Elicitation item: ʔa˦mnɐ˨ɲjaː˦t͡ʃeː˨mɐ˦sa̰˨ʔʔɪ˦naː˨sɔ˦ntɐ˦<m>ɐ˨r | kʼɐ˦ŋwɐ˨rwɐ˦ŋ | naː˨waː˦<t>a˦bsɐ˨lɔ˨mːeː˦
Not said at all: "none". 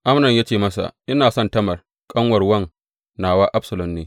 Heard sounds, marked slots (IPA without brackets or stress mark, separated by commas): m, ʔ